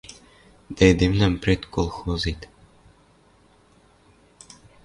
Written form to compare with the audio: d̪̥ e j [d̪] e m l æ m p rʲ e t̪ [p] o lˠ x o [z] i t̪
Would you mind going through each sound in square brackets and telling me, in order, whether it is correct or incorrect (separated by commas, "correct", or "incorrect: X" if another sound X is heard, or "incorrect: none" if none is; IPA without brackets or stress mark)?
correct, incorrect: k, correct